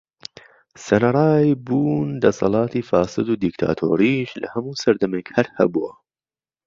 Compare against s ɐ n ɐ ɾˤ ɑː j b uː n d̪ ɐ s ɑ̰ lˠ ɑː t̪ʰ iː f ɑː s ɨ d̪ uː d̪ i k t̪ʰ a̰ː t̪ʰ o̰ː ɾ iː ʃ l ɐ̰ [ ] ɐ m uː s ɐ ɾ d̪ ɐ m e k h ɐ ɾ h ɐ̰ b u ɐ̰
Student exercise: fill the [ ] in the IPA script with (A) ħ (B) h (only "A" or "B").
B